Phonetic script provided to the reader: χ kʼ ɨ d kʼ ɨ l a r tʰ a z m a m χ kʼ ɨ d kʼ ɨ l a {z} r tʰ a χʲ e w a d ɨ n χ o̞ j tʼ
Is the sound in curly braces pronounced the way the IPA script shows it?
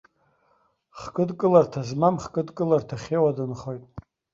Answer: no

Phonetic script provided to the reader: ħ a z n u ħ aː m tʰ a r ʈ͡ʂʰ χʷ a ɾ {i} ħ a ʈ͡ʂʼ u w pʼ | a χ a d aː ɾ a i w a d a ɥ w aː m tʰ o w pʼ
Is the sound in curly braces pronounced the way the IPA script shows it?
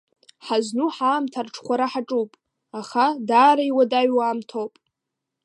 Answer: no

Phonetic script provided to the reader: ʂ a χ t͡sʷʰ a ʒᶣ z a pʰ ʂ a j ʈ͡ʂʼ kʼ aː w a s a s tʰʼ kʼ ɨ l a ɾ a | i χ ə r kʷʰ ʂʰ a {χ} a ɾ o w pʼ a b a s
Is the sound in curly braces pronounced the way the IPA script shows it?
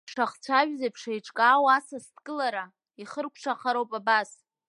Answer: yes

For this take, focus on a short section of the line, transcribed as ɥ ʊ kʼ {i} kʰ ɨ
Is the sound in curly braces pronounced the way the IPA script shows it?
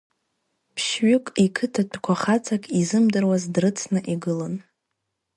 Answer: yes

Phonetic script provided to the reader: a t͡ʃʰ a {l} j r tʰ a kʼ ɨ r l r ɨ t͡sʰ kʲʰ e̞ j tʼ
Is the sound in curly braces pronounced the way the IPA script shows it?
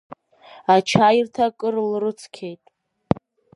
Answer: no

